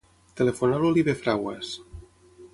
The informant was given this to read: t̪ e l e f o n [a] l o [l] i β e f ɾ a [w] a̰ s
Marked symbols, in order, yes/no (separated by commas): yes, yes, yes